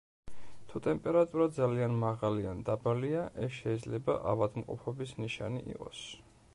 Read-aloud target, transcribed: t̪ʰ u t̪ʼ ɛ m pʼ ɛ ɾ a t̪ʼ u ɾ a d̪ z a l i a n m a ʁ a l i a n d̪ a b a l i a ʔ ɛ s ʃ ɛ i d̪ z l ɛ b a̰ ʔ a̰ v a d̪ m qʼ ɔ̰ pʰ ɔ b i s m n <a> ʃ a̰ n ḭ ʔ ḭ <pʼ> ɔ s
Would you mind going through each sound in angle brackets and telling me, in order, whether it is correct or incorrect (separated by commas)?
incorrect, incorrect